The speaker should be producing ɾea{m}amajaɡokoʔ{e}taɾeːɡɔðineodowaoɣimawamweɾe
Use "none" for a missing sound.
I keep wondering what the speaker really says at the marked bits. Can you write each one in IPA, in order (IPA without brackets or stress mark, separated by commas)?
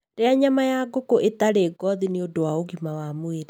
ɲ, e